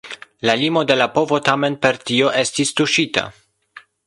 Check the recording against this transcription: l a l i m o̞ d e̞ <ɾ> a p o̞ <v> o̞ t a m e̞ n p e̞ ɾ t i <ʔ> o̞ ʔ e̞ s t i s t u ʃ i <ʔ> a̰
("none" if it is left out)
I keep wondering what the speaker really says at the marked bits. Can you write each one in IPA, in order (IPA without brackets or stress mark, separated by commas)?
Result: l, v, none, t